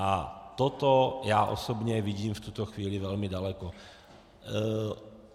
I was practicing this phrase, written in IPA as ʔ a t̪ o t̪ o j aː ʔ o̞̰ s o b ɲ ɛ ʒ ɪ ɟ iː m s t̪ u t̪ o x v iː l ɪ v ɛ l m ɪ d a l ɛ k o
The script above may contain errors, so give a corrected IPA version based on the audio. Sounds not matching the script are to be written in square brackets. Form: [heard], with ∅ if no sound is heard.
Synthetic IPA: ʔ a t̪ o t̪ o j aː ʔ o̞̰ s o b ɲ ɛ [v] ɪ ɟ iː m [f] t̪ u t̪ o x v iː l ɪ v ɛ l m ɪ d a l ɛ k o